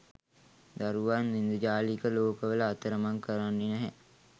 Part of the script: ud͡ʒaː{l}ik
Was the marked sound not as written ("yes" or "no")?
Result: no